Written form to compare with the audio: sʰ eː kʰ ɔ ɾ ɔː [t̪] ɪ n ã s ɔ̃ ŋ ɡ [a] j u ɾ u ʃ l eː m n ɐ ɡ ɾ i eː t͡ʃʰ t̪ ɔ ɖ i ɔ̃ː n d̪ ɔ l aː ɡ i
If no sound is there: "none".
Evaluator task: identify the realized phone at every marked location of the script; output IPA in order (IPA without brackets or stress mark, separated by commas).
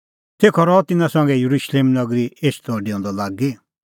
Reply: t̪, ɛ